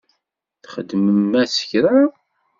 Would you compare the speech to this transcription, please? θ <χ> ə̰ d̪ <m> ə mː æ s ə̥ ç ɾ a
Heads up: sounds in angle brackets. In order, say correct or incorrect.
correct, correct

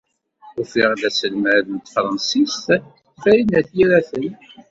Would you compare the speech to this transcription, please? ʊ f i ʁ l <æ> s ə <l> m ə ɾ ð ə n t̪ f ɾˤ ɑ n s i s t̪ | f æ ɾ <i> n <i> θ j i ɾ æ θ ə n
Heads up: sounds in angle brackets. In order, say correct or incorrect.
correct, correct, correct, incorrect: æ

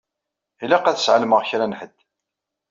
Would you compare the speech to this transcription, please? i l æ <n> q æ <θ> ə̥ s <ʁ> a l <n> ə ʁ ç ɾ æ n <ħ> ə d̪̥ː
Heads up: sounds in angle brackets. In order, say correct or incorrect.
incorrect: none, correct, incorrect: ʕ, incorrect: m, correct

